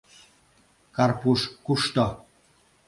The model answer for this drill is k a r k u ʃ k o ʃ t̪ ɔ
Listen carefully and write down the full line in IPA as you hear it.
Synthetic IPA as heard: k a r p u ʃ k u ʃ t̪ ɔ